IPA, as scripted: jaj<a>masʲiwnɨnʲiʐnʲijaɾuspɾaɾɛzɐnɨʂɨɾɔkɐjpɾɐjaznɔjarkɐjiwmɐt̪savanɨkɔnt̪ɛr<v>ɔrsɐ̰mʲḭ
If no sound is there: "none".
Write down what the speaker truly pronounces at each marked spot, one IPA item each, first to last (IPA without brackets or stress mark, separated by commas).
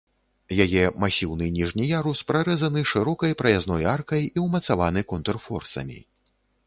ɛ, f